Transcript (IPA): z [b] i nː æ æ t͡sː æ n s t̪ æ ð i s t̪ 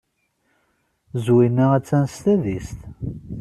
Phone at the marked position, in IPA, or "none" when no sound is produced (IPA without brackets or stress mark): w